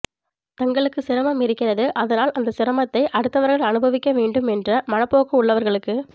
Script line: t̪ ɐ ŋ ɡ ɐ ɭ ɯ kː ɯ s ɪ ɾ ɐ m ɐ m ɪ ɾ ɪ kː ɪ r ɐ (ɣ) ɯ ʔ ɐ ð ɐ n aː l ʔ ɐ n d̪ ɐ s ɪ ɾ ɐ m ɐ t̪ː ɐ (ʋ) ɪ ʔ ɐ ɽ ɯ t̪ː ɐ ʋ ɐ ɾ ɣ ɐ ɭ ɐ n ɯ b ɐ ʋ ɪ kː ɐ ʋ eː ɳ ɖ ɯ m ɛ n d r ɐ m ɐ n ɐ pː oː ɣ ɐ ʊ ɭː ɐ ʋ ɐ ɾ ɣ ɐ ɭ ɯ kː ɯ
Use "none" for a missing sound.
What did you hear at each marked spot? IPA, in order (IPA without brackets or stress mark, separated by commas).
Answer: ð, none